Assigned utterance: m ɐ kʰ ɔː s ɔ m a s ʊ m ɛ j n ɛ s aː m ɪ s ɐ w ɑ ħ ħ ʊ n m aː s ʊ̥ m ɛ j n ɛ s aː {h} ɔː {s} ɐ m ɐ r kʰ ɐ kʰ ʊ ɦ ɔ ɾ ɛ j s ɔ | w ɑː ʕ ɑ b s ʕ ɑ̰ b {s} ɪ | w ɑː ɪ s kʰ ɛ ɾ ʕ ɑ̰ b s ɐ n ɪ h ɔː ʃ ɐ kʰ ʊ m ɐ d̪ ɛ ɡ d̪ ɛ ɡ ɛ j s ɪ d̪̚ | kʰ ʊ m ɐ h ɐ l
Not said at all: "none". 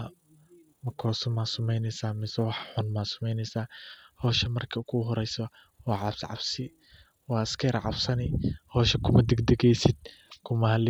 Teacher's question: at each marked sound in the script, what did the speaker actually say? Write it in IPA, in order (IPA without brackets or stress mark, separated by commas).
h, ʃ, s